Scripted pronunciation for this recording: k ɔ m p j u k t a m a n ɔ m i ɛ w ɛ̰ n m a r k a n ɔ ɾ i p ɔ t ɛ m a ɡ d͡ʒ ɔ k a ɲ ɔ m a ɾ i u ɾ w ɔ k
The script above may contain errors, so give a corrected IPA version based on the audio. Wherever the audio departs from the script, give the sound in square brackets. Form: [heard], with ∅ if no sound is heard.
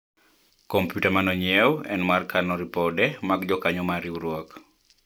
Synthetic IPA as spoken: k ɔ m p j u [∅] t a m a n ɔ [ɲ] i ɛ w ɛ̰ n m a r k a n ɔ ɾ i p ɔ [d] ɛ m a ɡ d͡ʒ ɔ k a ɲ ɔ m a ɾ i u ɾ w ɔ k